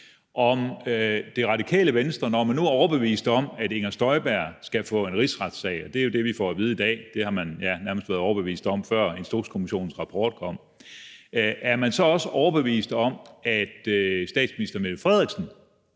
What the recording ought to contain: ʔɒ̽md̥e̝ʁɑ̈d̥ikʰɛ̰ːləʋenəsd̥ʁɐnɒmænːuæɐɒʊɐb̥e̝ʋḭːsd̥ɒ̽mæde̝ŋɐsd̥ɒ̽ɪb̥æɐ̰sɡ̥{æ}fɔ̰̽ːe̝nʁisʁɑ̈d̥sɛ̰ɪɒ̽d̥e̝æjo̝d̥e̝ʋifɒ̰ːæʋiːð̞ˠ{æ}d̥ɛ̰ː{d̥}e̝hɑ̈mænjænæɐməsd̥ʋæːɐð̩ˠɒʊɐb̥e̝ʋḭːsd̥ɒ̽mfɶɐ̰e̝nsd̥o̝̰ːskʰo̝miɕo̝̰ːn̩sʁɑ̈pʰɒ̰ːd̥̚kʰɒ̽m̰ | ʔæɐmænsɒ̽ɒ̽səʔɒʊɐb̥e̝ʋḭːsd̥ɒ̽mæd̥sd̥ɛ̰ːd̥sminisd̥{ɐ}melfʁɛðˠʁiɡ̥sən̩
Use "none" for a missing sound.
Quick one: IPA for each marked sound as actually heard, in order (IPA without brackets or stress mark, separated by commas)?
æ, i, d̥, ɐ